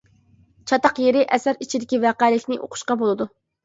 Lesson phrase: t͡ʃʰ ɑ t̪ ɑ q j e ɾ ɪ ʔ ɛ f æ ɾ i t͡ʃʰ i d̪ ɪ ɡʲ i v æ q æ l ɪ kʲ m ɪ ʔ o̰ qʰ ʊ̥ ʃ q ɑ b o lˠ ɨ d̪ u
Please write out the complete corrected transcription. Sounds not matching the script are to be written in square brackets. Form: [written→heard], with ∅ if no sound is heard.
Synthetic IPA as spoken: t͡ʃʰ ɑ t̪ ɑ q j e ɾ ɪ ʔ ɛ [f→s] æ ɾ i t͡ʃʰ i d̪ ɪ [ɡʲ→kʲ] i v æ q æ l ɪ kʲ [m→n] ɪ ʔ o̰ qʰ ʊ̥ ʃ q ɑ b o lˠ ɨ d̪ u